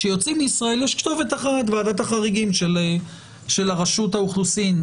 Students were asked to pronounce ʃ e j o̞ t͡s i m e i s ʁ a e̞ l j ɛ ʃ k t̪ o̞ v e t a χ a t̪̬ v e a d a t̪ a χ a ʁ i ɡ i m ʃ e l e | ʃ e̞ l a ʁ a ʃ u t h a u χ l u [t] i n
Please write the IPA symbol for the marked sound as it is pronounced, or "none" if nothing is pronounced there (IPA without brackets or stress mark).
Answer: s